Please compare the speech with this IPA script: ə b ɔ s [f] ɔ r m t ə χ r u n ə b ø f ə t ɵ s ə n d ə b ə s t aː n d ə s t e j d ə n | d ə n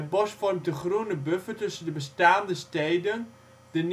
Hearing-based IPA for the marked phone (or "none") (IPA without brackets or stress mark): f